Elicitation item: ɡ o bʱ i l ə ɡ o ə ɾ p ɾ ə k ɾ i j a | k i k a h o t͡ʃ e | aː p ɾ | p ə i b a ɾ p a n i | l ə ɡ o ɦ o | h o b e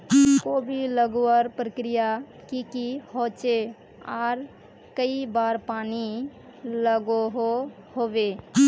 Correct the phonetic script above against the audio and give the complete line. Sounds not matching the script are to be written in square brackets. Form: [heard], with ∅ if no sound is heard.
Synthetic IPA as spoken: [k] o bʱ i l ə ɡ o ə ɾ p ɾ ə k ɾ i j a | k i k [i] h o t͡ʃ e | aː [∅] ɾ | [k] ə i b a ɾ p a n i | l ə ɡ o ɦ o | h o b e